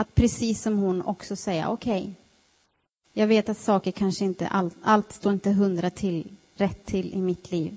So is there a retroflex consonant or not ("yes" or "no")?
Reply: yes